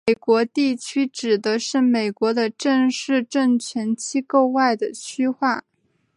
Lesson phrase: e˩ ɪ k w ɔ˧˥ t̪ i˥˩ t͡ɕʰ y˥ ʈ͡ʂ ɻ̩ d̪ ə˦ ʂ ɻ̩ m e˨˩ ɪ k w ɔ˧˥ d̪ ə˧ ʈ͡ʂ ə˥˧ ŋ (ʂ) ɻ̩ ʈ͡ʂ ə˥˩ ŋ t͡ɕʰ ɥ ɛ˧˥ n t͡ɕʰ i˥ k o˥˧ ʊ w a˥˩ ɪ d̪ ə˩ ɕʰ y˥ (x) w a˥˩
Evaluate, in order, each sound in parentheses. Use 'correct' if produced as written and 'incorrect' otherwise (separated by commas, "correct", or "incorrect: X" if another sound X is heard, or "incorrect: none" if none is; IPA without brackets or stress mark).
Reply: correct, correct